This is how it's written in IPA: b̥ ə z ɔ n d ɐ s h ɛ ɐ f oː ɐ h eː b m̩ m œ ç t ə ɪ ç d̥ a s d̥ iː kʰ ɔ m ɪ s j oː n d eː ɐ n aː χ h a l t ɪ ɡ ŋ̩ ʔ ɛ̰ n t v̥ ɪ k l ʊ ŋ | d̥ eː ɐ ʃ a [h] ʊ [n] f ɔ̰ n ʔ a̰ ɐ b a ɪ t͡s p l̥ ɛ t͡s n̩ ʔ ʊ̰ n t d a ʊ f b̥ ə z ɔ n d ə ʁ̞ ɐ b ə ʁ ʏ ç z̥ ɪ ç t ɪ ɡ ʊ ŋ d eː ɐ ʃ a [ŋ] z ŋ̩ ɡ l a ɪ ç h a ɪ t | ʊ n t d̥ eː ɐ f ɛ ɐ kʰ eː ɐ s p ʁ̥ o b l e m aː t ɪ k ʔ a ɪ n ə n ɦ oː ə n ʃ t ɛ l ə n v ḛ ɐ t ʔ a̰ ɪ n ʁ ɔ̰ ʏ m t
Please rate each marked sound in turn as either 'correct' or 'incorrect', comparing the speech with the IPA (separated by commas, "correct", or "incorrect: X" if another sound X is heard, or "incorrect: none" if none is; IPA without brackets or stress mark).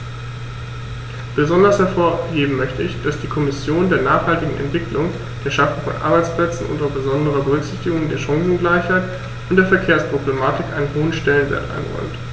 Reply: incorrect: f, incorrect: ŋ, correct